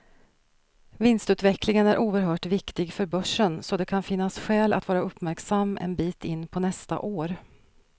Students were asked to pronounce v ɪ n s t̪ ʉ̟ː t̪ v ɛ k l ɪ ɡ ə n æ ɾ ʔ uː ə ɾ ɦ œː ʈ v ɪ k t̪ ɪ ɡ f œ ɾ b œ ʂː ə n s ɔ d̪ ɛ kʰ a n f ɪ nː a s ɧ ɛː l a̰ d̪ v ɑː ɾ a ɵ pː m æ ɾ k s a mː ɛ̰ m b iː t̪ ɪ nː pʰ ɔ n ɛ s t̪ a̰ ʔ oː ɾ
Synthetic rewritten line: v ɪ n s t̪ ʉ̟ː t̪ v ɛ k l ɪ ŋ ə n æ ɾ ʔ uː ə ɾ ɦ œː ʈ v ɪ k t̪ ɪ ɡ f œ ɾ b œ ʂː ə n s ɔ d̪ ɛ kʰ a n f ɪ nː a s ɧ ɛː l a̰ t̪ v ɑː ɾ a ɵ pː m æ ɾ k s a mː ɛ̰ n b iː t̪ ɪ nː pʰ ɔ n ɛ s t̪ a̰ ʔ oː ɾ